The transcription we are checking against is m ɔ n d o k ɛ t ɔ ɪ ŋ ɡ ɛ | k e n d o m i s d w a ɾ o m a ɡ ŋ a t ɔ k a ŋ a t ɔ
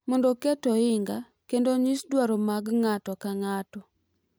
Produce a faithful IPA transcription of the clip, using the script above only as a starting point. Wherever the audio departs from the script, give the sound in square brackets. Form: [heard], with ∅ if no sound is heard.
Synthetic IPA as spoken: m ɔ n d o k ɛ t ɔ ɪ ŋ ɡ [a] | k e n d o [ɲ] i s d w a ɾ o m a ɡ ŋ a t ɔ k a ŋ a t ɔ